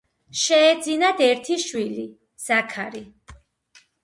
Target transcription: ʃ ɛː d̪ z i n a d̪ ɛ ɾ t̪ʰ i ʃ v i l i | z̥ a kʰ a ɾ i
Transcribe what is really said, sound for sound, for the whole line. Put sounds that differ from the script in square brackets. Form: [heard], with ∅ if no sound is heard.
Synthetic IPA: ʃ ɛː d̪ z i n a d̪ ɛ ɾ t̪ʰ i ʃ [w] i l i | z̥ a kʰ a ɾ i